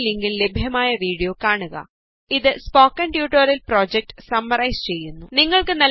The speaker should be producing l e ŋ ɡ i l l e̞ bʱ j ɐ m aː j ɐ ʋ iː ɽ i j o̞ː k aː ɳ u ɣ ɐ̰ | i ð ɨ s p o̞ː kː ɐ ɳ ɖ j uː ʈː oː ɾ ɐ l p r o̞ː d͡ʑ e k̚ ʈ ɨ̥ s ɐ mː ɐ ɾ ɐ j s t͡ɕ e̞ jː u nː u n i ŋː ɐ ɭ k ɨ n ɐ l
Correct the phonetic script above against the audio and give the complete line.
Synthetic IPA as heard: l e ŋ ɡ i l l e̞ bʱ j ɐ m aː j ɐ ʋ iː ɽ i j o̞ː k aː ɳ u ɣ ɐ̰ | i ð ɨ s p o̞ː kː ɐ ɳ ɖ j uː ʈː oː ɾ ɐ l p r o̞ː d͡ʑ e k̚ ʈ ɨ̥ s ɐ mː ɐ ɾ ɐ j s t͡ɕ e̞ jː u nː u n i ŋː ɐ ɭ k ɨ n ɐ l